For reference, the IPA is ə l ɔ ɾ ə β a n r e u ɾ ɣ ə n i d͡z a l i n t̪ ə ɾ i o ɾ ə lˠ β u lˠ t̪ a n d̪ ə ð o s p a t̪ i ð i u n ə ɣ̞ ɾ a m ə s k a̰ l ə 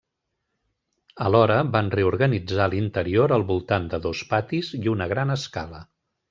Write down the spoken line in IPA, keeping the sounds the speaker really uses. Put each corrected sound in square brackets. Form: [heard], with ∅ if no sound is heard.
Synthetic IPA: ə l ɔ ɾ ə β a n r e u ɾ ɣ ə n i d͡z a l i n t̪ ə ɾ i o ɾ ə lˠ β u lˠ t̪ a n d̪ ə ð o s p a t̪ i [z] i u n ə ɣ̞ ɾ a [n] ə s k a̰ l ə